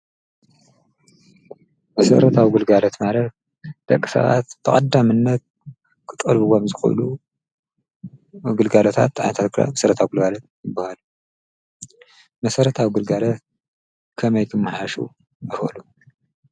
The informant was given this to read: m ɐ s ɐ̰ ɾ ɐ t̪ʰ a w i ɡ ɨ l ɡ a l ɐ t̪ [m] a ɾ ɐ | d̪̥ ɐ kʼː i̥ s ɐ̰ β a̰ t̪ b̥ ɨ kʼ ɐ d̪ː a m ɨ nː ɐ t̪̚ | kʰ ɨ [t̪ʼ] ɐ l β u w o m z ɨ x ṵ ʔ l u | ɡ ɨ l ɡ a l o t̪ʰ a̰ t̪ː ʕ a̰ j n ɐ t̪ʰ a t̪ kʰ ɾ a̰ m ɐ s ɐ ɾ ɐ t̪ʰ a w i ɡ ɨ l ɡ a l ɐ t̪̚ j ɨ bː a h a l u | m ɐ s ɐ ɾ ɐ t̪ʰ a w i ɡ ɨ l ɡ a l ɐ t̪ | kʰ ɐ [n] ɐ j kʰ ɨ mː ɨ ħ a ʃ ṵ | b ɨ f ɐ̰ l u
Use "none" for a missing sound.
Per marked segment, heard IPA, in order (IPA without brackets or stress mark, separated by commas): m, t̪ʼ, m